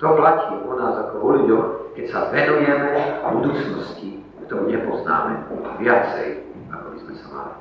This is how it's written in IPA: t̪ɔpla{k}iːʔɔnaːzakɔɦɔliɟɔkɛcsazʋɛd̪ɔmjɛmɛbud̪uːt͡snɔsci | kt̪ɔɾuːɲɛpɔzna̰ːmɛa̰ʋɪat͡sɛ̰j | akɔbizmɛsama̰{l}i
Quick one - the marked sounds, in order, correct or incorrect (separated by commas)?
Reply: incorrect, correct